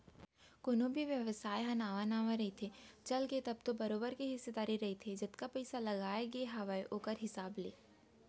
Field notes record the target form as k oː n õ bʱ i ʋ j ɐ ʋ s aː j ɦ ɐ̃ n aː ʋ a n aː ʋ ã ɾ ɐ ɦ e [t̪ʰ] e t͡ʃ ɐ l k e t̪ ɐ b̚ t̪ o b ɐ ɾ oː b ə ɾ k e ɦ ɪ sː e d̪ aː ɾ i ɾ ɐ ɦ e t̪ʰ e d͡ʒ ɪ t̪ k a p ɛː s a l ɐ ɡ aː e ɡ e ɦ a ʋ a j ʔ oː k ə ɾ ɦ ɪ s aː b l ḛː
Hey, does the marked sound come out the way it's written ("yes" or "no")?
yes